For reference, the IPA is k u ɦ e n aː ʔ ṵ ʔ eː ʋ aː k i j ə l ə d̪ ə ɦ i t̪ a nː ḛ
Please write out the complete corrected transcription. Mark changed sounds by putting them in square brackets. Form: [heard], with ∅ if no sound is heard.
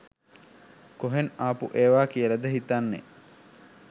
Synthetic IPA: k [o] ɦ e n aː [p] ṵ ʔ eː ʋ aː k i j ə l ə d̪ ə ɦ i t̪ a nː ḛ